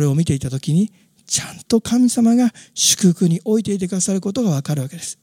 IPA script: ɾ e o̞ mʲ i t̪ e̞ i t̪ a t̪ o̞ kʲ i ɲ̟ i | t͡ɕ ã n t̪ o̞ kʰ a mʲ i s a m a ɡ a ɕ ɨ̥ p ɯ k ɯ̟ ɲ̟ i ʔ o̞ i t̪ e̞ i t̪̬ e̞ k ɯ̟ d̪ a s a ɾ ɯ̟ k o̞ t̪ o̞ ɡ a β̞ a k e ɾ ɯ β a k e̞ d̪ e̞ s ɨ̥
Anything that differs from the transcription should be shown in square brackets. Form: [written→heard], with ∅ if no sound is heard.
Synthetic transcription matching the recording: ɾ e o̞ mʲ i t̪ e̞ i t̪ a t̪ o̞ kʲ i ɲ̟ i | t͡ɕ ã n t̪ o̞ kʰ a mʲ i s a m a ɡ a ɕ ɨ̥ [p→k] ɯ k ɯ̟ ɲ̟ i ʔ o̞ i t̪ e̞ i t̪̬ e̞ k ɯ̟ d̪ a s a ɾ ɯ̟ k o̞ t̪ o̞ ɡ a β̞ a k [e→a] ɾ ɯ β a k e̞ d̪ e̞ s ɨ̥